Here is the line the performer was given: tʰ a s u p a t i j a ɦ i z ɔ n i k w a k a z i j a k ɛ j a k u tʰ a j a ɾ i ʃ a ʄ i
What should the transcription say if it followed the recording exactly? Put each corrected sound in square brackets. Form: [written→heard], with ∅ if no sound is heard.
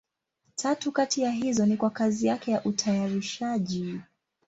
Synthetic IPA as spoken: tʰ a [s→t] u [p→k] a t i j a ɦ i z ɔ n i k w a k a z i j a k ɛ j a [k→ʔ] u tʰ a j a ɾ i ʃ a ʄ i